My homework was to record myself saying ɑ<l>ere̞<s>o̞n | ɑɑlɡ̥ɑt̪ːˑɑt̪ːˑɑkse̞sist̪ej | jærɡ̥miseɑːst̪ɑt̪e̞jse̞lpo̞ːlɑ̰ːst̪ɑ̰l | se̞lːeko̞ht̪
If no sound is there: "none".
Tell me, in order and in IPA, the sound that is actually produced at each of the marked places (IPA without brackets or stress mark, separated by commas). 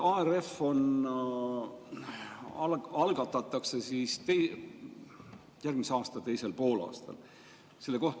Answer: none, f